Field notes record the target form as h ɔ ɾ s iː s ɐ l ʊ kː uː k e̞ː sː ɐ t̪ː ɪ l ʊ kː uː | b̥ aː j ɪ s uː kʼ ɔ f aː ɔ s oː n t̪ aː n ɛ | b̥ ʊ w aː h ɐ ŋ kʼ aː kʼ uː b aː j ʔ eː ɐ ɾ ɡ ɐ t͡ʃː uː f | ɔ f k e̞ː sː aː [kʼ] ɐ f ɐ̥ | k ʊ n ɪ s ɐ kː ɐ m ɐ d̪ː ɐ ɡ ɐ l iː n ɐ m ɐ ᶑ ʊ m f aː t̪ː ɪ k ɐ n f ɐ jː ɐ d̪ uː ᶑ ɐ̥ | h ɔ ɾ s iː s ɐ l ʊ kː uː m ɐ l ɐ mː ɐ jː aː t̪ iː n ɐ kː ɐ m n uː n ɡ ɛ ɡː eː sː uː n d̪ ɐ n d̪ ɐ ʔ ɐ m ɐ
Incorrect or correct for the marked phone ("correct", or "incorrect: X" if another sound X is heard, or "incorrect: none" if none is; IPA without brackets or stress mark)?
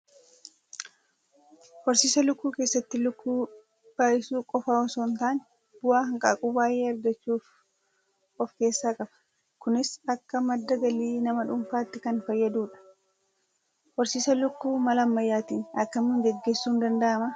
correct